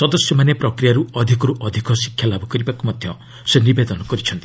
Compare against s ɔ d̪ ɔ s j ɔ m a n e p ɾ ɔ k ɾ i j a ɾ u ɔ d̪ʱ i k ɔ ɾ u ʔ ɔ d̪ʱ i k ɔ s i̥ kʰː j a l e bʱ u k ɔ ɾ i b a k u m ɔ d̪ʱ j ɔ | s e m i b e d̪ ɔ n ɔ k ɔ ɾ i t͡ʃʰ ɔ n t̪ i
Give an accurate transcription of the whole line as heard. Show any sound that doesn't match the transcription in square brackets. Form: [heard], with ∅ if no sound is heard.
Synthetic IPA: s ɔ d̪ ɔ s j ɔ m a n e p ɾ ɔ k ɾ i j a ɾ u ɔ d̪ʱ i k ɔ ɾ u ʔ ɔ d̪ʱ i k ɔ s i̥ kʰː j a l [a] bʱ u k ɔ ɾ i b a k u m ɔ d̪ʱ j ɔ | s e [n] i b e d̪ ɔ n ɔ k ɔ ɾ i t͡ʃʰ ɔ n t̪ i